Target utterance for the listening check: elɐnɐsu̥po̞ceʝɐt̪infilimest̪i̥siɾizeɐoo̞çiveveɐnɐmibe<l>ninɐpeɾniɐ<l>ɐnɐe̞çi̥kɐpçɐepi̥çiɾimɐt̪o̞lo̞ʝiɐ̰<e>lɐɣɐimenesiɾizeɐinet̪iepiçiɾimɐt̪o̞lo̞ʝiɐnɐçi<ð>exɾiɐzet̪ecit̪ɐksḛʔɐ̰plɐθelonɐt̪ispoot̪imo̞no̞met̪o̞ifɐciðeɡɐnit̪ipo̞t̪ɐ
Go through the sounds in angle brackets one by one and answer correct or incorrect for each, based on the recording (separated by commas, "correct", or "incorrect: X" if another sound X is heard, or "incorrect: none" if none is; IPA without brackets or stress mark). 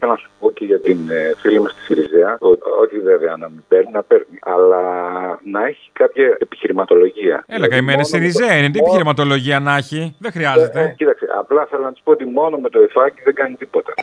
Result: incorrect: ɾ, correct, correct, correct